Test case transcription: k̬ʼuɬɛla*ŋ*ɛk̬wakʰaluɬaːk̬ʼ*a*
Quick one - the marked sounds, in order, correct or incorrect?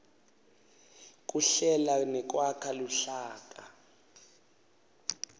incorrect: n, correct

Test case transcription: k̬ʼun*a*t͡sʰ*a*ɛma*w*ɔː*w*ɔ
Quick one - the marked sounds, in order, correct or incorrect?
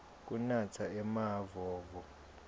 correct, correct, incorrect: v, incorrect: v

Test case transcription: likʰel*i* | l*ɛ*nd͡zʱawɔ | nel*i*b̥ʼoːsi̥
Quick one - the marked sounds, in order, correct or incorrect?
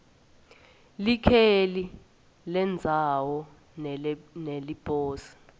correct, correct, correct

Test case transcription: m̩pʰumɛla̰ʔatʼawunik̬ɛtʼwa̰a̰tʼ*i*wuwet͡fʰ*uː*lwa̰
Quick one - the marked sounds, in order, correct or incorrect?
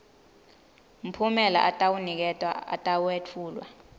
incorrect: a, correct

